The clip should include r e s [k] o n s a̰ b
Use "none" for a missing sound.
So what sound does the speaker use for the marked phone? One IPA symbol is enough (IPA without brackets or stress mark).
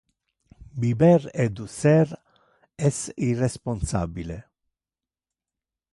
p